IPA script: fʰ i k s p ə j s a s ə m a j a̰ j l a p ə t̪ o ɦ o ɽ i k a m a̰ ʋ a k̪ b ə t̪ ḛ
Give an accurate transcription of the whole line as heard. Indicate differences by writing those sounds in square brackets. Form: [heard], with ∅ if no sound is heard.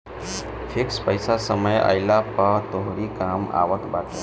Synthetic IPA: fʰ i k s p ə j s a s ə m [ə] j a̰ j l a p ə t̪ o ɦ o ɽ i k a m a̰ ʋ [ə] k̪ b [a] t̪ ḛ